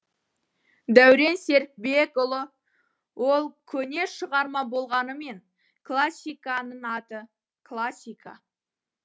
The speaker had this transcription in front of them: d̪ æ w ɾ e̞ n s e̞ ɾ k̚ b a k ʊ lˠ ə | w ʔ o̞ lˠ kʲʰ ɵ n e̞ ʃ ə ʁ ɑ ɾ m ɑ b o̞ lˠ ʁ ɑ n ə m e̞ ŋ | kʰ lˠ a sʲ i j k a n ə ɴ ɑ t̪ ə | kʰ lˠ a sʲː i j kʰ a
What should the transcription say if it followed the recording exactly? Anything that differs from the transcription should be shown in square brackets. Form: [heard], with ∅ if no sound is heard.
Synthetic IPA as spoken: d̪ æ w ɾ e̞ n s e̞ ɾ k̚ b [e] k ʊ lˠ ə | w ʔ o̞ lˠ kʲʰ ɵ n e̞ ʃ ə ʁ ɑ ɾ m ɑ b o̞ lˠ ʁ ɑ n ə m e̞ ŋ | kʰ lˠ a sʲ i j k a n ə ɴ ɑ t̪ ə | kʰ lˠ a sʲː i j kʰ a